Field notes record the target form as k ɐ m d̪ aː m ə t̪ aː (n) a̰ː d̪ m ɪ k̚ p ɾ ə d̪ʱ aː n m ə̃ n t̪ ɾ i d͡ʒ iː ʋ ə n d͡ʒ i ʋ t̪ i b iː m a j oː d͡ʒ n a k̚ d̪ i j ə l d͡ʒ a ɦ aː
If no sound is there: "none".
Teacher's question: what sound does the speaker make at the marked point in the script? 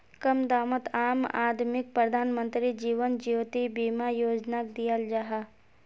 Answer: m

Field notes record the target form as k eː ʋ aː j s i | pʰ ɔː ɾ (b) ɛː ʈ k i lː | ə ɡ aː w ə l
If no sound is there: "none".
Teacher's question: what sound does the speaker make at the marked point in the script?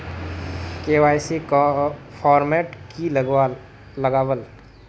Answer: m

